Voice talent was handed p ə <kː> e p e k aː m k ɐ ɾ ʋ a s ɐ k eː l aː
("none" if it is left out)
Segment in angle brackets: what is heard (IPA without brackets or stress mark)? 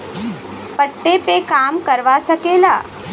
ʈː